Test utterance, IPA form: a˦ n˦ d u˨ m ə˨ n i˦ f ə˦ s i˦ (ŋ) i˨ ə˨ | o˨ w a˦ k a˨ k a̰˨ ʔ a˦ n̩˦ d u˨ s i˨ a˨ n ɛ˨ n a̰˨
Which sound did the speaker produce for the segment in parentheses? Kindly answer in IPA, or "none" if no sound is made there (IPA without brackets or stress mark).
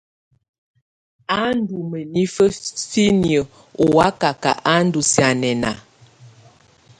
n